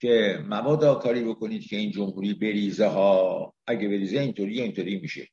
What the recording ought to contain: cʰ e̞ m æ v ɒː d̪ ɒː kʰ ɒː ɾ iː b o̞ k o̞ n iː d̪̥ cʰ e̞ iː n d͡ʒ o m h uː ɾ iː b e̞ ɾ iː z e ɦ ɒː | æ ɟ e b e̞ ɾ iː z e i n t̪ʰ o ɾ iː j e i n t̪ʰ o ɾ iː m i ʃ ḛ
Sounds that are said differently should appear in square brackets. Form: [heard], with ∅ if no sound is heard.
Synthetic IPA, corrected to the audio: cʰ e̞ m æ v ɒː d̪ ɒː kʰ ɒː ɾ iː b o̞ k o̞ n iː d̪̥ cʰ e̞ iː n d͡ʒ o m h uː ɾ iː b e̞ ɾ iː z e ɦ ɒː | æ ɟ e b e̞ ɾ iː z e i n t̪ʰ o ɾ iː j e i n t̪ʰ o ɾ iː m i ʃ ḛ